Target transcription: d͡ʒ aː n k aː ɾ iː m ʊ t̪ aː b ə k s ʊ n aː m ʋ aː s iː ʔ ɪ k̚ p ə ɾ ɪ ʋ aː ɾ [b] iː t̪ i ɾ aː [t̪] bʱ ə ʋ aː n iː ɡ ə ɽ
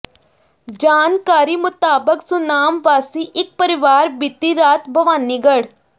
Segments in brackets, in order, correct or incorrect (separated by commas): correct, correct